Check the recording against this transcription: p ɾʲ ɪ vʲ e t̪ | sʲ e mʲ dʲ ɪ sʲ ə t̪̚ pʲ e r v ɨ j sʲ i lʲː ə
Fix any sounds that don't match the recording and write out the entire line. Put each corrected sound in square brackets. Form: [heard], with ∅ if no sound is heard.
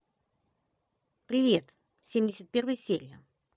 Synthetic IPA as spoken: p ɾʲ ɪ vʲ e t̪ | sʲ e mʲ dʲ ɪ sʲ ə t̪̚ pʲ e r v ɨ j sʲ [e] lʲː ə